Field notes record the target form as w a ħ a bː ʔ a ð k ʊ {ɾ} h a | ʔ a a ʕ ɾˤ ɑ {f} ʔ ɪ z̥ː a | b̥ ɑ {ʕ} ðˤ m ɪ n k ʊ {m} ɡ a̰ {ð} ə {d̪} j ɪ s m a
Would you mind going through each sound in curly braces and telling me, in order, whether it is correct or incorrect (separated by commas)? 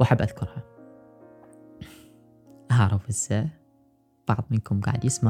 correct, correct, correct, correct, incorrect, correct